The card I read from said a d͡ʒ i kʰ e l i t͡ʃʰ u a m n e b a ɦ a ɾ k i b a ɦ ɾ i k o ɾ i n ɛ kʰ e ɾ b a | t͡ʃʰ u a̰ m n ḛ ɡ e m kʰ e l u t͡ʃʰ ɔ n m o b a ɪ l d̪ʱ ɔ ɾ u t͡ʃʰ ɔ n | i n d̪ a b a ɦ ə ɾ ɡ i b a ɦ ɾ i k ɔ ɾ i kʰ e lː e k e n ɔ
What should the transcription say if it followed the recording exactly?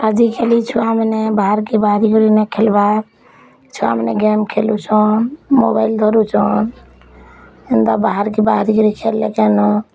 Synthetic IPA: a d͡ʒ i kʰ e l i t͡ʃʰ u a m n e b a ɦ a ɾ k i b a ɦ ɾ i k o ɾ i n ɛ kʰ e l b a | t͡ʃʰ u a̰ m n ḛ ɡ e m kʰ e l u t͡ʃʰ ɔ n m o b a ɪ l d̪ʱ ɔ ɾ u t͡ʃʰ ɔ n | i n d̪ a b a ɦ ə ɾ k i b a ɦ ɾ i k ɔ ɾ i kʰ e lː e k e n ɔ